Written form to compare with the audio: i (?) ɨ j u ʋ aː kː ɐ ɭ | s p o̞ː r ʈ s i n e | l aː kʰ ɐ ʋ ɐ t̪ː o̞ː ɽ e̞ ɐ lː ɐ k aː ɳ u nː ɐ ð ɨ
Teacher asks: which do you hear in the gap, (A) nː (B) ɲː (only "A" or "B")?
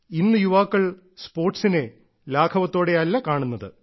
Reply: A